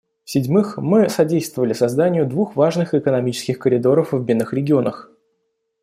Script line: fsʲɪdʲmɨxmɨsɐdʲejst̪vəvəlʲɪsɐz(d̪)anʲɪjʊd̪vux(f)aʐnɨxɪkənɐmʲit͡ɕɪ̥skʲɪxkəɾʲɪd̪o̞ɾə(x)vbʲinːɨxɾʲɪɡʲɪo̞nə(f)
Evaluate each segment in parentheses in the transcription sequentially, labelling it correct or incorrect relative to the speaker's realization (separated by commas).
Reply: correct, incorrect, incorrect, incorrect